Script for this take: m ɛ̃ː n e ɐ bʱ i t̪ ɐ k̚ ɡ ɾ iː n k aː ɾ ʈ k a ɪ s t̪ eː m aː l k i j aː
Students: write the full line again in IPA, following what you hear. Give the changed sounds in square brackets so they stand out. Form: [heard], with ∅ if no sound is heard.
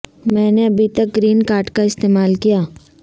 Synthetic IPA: m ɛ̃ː n e ɐ bʱ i t̪ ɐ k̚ ɡ ɾ iː n k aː ɾ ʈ k a ɪ s t̪ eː m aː l k i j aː